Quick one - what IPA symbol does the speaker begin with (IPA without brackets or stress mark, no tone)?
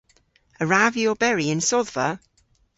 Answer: ə